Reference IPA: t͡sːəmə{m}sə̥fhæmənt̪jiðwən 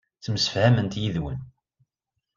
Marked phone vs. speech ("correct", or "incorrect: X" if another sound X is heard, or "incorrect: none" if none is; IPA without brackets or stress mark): incorrect: none